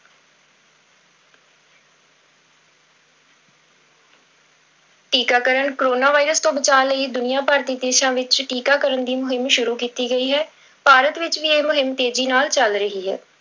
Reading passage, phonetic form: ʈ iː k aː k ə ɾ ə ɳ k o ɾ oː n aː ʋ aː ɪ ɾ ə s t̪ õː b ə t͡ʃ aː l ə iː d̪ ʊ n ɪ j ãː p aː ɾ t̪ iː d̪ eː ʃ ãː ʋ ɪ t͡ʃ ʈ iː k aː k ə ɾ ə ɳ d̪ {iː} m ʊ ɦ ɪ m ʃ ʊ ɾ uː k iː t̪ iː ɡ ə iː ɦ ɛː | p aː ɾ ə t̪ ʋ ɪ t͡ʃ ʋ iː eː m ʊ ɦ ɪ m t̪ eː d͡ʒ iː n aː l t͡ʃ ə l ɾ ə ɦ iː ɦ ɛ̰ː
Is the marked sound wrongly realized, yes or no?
no